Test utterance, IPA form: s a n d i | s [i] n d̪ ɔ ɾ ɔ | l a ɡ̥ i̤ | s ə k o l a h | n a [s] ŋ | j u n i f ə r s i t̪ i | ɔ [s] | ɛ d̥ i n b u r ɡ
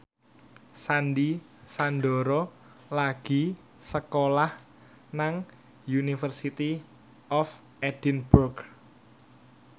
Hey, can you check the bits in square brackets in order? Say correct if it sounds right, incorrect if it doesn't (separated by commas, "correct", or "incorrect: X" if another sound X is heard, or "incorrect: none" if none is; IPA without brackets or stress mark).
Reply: incorrect: a, incorrect: none, incorrect: f